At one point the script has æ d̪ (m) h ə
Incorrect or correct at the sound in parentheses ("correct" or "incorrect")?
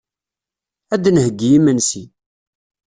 incorrect